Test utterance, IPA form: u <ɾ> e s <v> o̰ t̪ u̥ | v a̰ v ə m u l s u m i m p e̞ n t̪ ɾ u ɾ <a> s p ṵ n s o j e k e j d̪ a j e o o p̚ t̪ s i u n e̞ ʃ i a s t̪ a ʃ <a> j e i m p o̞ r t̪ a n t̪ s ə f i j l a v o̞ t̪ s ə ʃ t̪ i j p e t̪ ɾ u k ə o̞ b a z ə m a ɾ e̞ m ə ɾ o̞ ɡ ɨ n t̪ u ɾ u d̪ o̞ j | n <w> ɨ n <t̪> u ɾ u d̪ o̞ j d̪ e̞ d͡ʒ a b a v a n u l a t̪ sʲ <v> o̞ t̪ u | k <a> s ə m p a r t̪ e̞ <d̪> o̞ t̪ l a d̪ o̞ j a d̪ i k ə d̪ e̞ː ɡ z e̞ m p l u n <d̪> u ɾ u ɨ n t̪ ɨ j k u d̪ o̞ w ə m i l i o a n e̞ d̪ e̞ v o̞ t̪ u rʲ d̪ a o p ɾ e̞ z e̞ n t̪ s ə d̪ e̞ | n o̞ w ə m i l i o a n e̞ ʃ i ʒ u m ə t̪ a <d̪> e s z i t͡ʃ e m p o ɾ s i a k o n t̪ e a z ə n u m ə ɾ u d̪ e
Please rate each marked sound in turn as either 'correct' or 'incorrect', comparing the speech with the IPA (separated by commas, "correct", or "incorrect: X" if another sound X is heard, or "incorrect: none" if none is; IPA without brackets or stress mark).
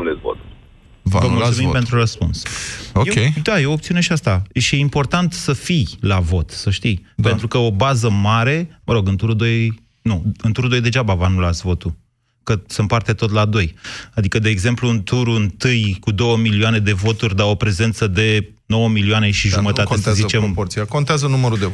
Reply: incorrect: l, correct, incorrect: ə, incorrect: i, incorrect: u, correct, correct, incorrect: ə, incorrect: t̪, incorrect: t̪, incorrect: t̪